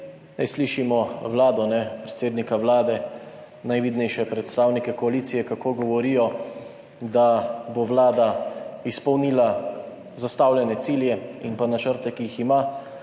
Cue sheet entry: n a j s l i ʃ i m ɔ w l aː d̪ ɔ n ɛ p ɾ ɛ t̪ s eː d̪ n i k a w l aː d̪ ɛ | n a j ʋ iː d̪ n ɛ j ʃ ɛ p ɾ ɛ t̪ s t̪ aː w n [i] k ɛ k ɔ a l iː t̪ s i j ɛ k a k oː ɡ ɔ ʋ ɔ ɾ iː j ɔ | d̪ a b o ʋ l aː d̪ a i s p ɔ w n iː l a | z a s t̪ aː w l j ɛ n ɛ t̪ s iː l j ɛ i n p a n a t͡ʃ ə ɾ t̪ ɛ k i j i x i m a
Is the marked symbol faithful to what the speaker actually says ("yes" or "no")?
yes